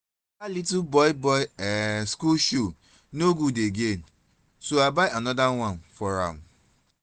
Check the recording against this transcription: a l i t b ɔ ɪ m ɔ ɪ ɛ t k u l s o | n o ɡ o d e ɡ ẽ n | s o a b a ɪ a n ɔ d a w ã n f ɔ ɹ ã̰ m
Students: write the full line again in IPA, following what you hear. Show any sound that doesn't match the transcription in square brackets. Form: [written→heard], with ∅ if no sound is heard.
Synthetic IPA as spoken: a l i t b ɔ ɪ [m→b] ɔ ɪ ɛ [t→s] k u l [s→ʃ] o | n o ɡ [o→u] d e ɡ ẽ n | s o a b a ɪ a n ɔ d a w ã n f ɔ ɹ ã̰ m